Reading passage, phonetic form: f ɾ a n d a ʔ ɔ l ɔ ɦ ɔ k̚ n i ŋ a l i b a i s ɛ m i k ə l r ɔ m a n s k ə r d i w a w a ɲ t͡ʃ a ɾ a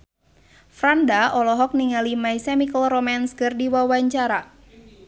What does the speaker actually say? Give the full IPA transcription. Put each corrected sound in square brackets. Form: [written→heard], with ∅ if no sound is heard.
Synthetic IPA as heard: f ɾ a n d a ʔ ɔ l ɔ ɦ ɔ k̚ n i ŋ a l i [b→m] a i s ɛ m i k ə l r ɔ m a n s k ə r d i w a w a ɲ t͡ʃ a ɾ a